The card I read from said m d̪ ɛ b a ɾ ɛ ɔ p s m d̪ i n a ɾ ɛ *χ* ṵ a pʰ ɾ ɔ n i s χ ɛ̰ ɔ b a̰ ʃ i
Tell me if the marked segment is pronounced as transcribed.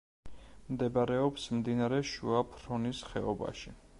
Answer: no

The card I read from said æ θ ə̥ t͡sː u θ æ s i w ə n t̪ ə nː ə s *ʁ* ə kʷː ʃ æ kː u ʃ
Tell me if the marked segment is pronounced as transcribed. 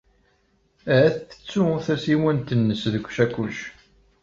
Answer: no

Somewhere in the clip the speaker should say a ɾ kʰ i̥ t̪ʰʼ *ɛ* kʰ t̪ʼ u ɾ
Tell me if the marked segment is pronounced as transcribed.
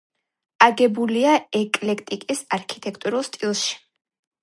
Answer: yes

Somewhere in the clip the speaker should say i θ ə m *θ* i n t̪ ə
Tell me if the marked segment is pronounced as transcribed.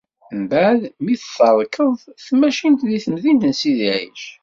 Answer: no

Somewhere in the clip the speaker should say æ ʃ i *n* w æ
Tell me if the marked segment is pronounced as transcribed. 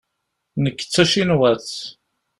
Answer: yes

